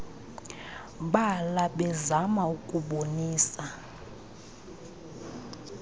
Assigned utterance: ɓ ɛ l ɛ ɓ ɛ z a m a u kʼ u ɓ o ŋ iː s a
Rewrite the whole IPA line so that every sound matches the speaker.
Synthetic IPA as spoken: ɓ a l a ɓ ɛ z a m a u kʼ u ɓ o n iː s a